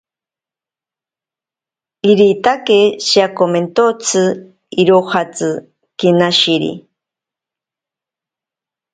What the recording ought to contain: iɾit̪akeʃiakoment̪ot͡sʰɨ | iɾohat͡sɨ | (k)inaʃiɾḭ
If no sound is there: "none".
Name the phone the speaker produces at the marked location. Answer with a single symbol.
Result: k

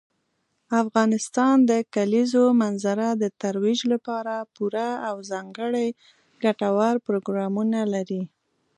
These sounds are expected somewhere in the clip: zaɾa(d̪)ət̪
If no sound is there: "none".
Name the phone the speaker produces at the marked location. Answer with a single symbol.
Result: d̪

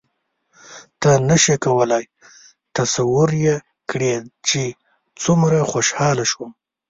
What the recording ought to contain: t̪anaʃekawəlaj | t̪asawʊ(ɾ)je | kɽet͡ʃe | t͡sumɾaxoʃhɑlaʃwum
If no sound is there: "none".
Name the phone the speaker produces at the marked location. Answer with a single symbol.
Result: ɾ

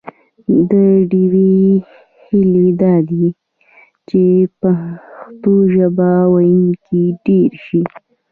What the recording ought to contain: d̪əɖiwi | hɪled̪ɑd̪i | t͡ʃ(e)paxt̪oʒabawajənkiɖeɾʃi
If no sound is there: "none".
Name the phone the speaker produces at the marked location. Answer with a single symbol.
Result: e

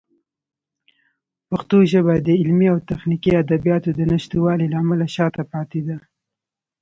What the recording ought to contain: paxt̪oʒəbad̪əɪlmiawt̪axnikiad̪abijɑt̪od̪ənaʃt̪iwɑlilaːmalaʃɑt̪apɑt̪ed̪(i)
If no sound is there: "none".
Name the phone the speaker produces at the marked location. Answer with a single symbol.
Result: a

